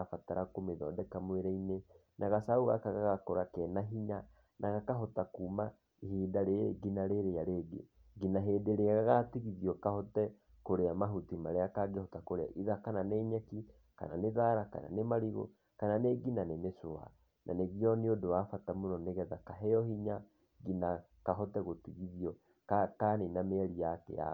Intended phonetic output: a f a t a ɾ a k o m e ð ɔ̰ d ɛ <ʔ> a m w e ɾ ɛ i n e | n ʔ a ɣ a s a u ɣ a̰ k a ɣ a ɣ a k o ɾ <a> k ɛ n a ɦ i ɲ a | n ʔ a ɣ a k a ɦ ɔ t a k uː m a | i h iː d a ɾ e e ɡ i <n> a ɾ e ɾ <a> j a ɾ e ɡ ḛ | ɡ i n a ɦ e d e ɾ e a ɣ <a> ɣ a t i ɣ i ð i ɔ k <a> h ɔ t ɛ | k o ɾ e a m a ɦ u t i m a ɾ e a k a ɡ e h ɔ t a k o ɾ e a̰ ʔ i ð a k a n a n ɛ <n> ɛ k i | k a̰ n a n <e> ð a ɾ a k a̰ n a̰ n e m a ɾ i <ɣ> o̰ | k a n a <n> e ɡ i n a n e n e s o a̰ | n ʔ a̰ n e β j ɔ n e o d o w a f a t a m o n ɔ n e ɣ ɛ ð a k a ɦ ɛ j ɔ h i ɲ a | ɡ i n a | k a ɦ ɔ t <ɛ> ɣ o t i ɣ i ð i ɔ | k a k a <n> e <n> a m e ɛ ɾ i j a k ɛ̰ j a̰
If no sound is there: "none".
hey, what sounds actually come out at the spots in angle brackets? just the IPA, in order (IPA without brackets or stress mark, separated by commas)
k, a, n, e, a, a, ɲ, e, ɣ, n, ɛ, n, n